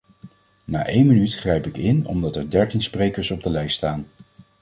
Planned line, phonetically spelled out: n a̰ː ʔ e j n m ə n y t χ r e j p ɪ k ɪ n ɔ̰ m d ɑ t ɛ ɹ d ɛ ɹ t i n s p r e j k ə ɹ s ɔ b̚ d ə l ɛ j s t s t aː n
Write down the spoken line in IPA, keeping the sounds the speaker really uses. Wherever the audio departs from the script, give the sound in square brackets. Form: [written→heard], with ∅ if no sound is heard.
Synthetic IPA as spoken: n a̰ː ʔ e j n m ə n y t χ r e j p ɪ k ɪ n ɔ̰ m d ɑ t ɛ ɹ d ɛ ɹ t i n s p r e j k ə ɹ s ɔ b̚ d ə l ɛ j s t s t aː n